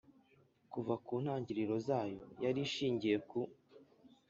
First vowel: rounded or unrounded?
rounded